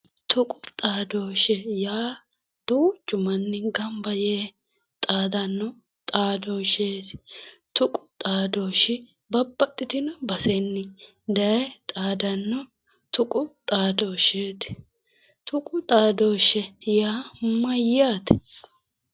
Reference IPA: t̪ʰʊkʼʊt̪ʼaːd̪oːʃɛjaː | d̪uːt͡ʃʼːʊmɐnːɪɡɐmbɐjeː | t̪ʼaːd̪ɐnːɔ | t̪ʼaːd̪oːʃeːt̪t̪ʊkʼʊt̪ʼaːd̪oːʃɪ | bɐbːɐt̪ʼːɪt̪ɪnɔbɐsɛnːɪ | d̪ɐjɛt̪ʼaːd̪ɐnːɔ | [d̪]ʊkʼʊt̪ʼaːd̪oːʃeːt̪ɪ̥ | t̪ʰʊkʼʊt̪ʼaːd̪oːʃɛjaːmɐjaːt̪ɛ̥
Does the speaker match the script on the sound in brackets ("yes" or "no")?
no